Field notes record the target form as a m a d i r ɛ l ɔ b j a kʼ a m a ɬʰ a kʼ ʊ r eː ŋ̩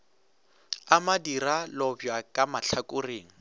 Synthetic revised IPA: a m a d i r a l ɔ b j a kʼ a m a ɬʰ a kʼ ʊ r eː ŋ̩